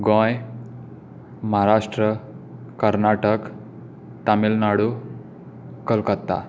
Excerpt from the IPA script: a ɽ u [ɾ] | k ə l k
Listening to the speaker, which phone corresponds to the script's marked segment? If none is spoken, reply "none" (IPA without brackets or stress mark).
none